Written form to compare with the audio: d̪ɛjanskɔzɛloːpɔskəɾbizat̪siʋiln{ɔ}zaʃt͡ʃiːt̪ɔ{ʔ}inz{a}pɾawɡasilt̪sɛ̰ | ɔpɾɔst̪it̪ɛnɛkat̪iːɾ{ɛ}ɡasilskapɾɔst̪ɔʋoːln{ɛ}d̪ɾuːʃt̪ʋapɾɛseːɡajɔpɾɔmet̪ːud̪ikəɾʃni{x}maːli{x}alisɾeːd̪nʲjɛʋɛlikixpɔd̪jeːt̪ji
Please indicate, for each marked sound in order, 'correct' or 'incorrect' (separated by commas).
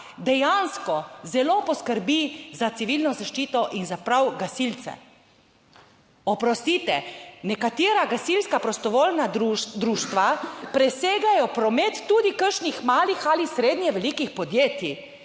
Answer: correct, correct, correct, incorrect, incorrect, correct, correct